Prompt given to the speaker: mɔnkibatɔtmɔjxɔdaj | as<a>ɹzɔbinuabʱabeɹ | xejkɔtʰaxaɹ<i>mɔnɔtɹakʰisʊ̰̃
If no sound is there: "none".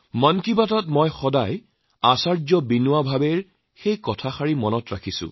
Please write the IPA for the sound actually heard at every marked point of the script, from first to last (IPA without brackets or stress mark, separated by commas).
a, i